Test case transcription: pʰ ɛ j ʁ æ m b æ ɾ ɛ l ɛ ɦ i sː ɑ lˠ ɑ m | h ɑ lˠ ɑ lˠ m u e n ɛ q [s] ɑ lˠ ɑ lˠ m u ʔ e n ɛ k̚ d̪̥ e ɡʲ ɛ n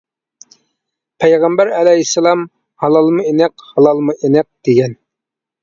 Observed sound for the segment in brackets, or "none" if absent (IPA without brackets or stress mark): h